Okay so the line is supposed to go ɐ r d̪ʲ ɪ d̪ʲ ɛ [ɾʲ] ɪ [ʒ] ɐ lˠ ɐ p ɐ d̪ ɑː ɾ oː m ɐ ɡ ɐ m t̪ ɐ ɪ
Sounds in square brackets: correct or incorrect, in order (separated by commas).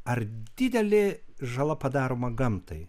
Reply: incorrect, correct